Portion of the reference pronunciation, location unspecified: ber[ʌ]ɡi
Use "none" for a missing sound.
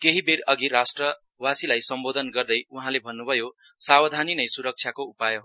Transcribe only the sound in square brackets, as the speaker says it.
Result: ʌ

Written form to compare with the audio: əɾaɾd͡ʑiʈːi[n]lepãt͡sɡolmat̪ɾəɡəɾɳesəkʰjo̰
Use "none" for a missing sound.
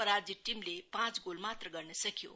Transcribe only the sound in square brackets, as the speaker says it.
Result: m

